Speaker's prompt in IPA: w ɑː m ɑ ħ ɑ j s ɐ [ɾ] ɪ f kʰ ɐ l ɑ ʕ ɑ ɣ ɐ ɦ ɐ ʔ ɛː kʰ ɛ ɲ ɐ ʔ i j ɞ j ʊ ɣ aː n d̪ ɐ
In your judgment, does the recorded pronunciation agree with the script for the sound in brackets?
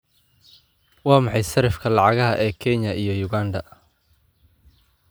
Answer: yes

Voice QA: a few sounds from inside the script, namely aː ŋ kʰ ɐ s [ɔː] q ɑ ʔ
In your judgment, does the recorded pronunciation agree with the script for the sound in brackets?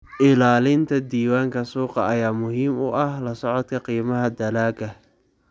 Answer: no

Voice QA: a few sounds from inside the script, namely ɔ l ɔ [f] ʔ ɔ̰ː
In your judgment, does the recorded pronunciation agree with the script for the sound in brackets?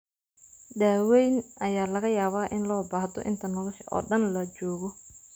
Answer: no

